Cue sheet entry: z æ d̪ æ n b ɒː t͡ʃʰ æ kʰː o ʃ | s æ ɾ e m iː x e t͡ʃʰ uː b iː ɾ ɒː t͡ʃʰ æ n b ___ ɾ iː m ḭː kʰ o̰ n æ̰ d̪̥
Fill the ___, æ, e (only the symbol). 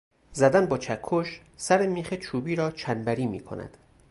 æ